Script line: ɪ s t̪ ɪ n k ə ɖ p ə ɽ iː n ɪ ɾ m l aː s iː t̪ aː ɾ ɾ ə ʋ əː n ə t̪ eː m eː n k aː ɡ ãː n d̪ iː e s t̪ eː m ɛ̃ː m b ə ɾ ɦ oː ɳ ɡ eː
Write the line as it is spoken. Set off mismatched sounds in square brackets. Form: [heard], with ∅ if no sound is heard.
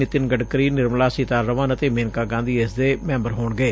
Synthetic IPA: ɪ [∅] t̪ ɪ n [ɡ] ə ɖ [k] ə [ɾ] iː n ɪ ɾ m l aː s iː t̪ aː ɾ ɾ ə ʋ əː n ə t̪ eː m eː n k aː ɡ ãː n d̪ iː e s [d̪] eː m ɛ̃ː m b ə ɾ ɦ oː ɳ ɡ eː